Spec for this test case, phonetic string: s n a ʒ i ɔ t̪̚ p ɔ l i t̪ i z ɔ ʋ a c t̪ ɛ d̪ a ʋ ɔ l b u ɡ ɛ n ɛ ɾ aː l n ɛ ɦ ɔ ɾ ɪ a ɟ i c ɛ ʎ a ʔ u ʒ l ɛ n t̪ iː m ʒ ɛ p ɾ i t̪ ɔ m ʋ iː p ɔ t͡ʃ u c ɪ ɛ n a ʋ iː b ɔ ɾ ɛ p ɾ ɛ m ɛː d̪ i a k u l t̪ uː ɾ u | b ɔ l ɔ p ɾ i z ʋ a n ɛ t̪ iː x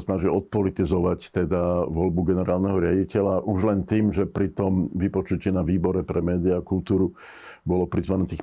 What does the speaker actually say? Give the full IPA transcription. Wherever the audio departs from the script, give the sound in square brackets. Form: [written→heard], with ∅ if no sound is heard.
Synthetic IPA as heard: s n a ʒ i ɔ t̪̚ p ɔ l i t̪ i z ɔ ʋ a c t̪ ɛ d̪ a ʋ ɔ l b u ɡ ɛ n ɛ ɾ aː l n ɛ ɦ ɔ ɾ ɪ a ɟ i c ɛ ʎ a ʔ u ʒ l ɛ n t̪ iː m ʒ ɛ p ɾ i t̪ ɔ m ʋ [iː→i] p ɔ t͡ʃ u c ɪ ɛ n a ʋ iː b ɔ ɾ ɛ p ɾ ɛ m ɛː d̪ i a k u l t̪ uː ɾ u | b ɔ l ɔ p ɾ i z ʋ a n ɛ t̪ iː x